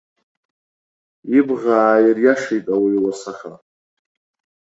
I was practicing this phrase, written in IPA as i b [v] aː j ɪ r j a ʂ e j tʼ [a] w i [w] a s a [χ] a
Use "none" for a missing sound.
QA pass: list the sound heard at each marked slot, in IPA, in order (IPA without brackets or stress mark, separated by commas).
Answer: ʁ, a, w, χ